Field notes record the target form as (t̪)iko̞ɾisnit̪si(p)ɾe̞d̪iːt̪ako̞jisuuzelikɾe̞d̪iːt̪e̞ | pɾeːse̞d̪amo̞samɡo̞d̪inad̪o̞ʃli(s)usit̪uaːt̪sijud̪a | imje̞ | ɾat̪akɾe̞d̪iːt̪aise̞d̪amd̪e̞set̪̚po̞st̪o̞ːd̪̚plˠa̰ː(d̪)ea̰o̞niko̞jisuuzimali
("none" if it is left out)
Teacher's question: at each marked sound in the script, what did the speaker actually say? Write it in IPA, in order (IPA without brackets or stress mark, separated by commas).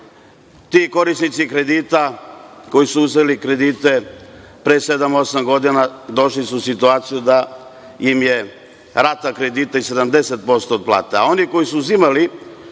t̪, k, s, t̪